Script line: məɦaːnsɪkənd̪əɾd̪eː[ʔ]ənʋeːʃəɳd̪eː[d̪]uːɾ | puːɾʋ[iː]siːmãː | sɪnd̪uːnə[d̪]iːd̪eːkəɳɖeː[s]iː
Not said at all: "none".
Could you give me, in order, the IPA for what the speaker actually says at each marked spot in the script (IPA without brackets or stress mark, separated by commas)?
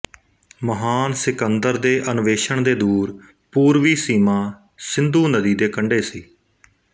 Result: ʔ, d̪, iː, d̪, s